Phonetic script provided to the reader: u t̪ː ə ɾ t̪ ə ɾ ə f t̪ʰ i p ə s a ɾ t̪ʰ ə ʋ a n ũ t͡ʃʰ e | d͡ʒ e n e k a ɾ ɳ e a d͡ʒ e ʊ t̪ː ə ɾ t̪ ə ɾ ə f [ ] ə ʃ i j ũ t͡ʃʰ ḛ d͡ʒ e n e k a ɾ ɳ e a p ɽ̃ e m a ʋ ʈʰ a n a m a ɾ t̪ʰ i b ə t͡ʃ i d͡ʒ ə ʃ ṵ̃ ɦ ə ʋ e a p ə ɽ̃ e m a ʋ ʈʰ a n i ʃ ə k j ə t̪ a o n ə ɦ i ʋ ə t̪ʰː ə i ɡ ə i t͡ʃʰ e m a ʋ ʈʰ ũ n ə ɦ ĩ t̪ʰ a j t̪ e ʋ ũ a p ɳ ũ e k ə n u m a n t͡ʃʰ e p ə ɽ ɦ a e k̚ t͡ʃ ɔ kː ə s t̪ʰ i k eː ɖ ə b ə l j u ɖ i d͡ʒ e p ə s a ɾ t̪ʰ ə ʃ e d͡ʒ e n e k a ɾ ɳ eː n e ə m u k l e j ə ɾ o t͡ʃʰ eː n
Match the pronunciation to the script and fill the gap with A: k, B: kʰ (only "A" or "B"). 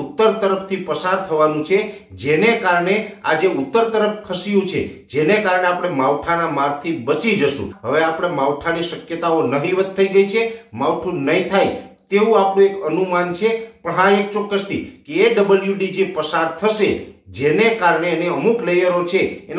B